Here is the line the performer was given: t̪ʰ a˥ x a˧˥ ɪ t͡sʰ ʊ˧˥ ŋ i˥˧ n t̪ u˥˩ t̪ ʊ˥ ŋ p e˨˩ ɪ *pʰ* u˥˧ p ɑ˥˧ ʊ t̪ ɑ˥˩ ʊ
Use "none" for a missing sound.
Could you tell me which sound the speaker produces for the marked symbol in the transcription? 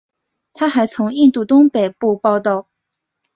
p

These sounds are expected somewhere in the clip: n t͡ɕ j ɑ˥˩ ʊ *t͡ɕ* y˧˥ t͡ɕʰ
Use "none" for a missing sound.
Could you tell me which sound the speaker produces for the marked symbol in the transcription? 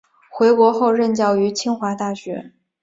none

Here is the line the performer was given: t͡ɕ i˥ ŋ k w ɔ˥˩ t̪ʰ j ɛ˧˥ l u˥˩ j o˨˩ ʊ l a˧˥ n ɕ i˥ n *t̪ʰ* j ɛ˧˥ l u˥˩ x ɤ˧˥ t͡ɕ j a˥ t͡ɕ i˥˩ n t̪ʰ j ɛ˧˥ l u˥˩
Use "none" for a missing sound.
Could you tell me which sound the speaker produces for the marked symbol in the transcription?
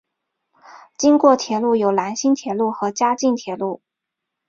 t̪ʰ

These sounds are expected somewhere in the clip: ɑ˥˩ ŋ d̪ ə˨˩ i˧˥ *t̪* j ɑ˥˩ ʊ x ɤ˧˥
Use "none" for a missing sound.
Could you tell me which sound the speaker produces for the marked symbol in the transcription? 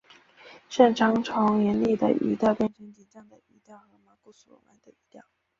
t̪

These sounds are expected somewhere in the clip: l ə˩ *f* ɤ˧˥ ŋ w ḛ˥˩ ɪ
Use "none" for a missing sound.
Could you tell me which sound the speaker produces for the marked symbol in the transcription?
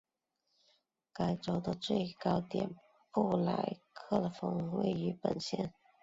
f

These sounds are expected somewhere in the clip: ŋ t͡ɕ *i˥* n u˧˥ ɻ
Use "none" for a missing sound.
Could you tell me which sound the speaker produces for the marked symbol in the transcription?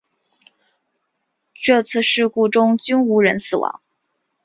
y˥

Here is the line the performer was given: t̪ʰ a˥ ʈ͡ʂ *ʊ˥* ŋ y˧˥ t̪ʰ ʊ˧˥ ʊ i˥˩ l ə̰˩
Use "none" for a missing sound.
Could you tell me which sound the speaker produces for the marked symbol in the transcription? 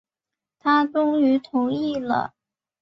ʊ˥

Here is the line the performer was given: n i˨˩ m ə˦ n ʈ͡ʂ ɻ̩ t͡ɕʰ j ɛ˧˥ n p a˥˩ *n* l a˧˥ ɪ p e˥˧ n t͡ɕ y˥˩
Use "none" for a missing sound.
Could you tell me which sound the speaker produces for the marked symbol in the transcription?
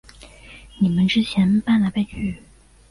n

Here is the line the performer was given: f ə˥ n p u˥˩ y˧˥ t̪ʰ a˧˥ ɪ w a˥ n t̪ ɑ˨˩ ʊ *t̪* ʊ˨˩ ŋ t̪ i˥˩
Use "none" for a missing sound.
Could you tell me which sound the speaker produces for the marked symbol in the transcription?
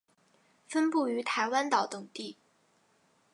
t̪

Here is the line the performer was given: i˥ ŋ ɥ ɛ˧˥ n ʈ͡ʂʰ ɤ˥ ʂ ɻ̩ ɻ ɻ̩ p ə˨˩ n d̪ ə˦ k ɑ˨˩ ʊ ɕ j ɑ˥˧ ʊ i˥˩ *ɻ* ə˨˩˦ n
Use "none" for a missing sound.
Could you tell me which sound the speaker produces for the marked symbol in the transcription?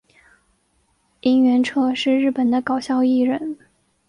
ɻ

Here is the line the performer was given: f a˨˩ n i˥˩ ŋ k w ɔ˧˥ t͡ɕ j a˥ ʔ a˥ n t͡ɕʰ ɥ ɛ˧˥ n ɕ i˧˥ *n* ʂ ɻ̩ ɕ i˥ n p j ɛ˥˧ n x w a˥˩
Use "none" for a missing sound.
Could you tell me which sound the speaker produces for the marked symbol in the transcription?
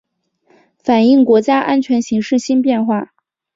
ŋ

